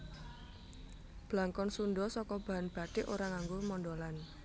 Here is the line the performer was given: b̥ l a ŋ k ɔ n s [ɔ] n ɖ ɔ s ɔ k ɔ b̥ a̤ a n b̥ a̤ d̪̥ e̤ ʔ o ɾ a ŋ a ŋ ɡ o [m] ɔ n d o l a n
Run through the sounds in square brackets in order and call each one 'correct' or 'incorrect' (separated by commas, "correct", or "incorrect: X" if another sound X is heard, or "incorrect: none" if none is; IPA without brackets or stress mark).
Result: incorrect: u, correct